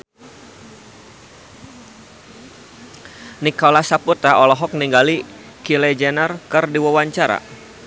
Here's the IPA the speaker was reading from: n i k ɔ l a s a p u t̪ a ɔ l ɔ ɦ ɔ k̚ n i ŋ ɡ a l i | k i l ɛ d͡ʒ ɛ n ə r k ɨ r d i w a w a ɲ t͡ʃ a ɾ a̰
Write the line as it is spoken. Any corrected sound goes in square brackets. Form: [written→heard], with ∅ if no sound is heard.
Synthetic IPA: n i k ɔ l a s a p u t̪ a ɔ l ɔ ɦ ɔ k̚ n i ŋ ɡ a l i | k i l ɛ d͡ʒ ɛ n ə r k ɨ r d i w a w a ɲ t͡ʃ a ɾ a̰